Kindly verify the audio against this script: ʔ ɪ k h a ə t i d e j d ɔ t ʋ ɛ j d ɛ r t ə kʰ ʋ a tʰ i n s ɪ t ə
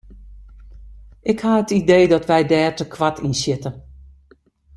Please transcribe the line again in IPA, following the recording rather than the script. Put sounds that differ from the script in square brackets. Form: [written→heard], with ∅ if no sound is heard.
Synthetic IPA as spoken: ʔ ɪ k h a ə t i d e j d ɔ t ʋ ɛ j d [ɛ→ɛː] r t ə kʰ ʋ a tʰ i n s ɪ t ə